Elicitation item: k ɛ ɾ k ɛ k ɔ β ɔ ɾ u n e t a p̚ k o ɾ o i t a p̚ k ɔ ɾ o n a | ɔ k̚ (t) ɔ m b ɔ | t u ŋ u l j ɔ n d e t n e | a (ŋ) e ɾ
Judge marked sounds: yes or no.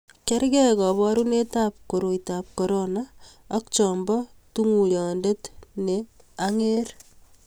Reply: no, yes

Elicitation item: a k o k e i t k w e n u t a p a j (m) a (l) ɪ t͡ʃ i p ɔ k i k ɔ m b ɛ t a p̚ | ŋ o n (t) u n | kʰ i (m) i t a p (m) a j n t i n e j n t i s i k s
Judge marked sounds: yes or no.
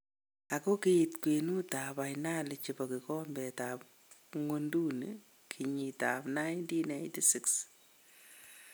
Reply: no, yes, no, no, no

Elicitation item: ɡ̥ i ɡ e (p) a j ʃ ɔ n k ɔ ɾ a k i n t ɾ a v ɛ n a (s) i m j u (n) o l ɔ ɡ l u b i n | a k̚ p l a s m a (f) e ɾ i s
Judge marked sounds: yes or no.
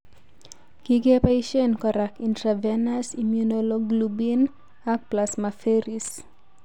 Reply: yes, yes, yes, yes

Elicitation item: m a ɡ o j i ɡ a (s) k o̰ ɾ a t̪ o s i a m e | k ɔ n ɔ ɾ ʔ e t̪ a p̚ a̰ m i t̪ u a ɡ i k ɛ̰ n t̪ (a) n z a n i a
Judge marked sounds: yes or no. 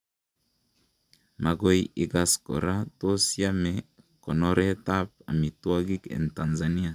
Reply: yes, yes

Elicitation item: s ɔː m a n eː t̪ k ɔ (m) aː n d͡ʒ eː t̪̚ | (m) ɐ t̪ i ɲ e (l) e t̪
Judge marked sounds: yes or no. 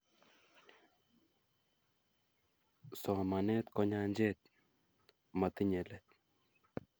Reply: no, yes, yes

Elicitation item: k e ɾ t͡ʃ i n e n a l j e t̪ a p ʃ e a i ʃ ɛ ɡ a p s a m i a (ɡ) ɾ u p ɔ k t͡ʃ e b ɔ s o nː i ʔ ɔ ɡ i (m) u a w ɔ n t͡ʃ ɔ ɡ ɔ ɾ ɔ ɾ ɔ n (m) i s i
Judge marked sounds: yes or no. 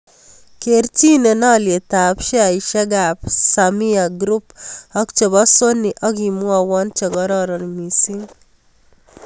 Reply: yes, yes, yes

